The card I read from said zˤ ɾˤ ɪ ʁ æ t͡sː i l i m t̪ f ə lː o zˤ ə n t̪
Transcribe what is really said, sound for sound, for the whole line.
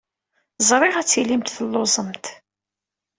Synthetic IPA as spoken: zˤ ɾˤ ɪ ʁ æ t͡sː i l i m t̪ θ ə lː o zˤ ə m t̪